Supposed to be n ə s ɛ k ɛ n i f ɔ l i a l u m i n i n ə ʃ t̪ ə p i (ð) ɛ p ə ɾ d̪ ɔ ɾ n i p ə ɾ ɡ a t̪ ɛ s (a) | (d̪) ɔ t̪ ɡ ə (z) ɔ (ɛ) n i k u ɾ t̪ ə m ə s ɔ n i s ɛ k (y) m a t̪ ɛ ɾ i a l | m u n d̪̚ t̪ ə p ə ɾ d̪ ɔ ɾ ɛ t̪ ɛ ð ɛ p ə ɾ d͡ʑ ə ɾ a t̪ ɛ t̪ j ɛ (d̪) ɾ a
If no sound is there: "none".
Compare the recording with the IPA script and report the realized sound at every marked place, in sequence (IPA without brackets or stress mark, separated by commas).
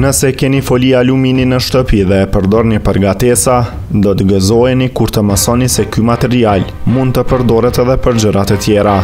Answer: ð, a, d̪, z, ɛ, y, none